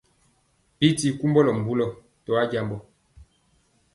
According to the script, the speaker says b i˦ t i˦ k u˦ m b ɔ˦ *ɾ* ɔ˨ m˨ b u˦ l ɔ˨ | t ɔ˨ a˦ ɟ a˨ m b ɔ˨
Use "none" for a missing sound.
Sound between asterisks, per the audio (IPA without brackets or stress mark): l